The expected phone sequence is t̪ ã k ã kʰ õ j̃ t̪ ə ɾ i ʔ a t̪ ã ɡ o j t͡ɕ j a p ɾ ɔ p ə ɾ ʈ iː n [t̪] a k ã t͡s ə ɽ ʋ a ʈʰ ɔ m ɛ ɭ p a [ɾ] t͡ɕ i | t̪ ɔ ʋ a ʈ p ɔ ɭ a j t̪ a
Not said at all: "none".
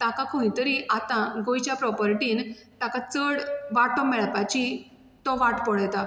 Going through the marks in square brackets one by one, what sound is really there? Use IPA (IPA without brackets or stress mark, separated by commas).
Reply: t̪, none